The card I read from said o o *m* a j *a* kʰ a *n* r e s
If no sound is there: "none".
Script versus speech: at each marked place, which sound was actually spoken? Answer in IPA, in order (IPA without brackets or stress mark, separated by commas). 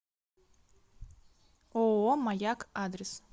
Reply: m, a, d